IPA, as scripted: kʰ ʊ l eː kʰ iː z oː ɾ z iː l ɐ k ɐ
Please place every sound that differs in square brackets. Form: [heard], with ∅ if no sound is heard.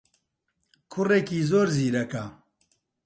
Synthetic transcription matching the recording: kʰ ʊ [r] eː [k] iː z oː ɾ z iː [ɾ] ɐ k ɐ

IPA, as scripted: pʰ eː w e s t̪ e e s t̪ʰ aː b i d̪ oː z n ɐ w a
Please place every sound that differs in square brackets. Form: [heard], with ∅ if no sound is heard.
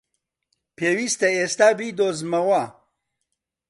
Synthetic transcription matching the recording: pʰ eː w [i] s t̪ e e s [t̪] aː b i d̪ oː z [m] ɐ w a

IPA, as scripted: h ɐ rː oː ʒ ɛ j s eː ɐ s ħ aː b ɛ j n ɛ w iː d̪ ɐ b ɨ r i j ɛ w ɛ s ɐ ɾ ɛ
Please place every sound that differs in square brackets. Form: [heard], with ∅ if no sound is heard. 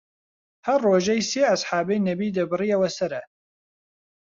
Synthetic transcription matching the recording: h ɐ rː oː ʒ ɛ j s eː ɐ s ħ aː b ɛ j n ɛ [b] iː d̪ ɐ b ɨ r i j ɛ w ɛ s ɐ ɾ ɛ

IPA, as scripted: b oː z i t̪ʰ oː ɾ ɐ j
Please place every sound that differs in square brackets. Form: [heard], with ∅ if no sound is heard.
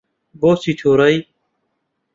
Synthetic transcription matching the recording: b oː [s] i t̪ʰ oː ɾ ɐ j

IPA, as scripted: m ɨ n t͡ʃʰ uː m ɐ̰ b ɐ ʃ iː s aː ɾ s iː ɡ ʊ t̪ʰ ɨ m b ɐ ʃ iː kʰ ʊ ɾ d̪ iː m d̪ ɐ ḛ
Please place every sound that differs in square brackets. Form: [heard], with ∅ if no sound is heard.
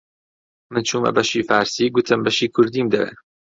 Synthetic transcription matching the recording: m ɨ n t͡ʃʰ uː m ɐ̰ b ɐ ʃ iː [f] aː ɾ s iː ɡ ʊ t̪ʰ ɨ m b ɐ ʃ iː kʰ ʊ ɾ d̪ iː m d̪ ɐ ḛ

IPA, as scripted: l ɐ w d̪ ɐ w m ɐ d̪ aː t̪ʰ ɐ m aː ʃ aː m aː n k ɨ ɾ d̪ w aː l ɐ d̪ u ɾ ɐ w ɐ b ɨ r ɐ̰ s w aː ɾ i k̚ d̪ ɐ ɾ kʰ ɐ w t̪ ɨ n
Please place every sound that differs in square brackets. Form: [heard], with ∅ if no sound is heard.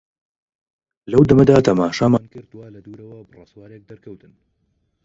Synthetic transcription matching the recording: l ɐ w d̪ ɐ [∅] m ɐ d̪ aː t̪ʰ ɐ m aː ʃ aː m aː n k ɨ ɾ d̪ w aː l ɐ d̪ u ɾ ɐ w ɐ b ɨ r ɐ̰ s w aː ɾ [e] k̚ d̪ ɐ ɾ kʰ ɐ w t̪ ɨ n

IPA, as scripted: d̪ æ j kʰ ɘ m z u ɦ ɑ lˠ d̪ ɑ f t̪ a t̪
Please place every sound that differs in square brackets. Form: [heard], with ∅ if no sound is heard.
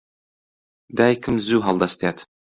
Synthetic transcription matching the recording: d̪ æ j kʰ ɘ m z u ɦ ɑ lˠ d̪ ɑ [s] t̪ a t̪

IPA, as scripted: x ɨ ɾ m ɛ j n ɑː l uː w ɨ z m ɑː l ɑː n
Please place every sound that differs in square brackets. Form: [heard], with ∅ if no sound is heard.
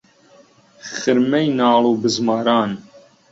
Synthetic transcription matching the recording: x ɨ ɾ m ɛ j n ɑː l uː [b] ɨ z m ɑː [ɾ] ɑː n

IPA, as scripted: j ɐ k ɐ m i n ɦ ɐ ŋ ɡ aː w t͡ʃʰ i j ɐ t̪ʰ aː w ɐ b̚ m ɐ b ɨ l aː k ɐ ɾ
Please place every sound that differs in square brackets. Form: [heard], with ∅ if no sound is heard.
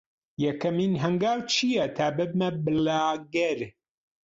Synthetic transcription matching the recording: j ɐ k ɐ m i n ɦ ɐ ŋ ɡ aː w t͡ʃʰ i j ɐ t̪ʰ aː [b] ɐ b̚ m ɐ b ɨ l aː [ɡ] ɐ ɾ

